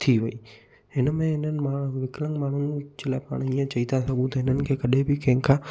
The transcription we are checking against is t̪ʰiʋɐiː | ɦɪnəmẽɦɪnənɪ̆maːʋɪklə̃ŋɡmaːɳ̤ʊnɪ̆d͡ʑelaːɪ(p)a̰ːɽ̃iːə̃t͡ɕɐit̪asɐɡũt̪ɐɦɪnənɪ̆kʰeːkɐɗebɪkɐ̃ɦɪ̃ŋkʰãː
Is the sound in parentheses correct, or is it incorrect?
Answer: correct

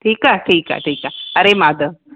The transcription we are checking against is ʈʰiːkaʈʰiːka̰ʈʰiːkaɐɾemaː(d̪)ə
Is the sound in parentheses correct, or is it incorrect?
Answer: correct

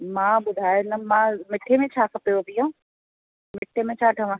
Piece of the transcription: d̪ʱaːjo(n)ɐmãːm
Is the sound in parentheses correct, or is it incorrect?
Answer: correct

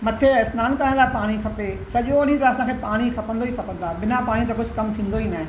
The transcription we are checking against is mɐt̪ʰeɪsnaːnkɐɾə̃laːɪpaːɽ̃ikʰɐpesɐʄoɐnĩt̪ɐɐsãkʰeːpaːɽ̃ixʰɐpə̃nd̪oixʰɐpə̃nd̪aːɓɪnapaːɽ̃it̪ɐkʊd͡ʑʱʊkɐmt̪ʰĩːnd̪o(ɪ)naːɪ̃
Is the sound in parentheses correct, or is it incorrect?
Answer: incorrect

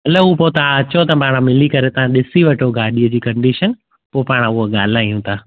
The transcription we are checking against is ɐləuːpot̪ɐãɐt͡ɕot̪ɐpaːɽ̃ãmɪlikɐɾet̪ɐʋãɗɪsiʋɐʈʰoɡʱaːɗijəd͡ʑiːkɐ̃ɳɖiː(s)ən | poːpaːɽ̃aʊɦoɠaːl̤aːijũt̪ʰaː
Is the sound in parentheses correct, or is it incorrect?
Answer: incorrect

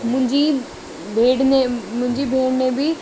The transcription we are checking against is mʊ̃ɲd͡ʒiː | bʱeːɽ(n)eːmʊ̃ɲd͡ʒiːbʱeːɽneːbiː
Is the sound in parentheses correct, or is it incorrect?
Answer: correct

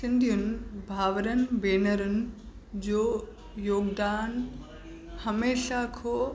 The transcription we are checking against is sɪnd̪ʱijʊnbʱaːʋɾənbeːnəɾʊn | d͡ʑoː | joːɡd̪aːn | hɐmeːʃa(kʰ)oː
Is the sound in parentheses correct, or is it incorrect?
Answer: correct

